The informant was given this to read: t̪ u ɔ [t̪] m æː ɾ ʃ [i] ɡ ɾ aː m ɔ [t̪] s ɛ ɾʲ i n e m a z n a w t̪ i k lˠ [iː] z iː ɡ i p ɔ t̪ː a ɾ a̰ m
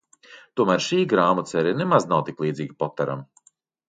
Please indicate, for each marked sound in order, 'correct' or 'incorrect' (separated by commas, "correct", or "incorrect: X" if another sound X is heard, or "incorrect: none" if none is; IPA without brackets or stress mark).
incorrect: none, incorrect: iː, correct, correct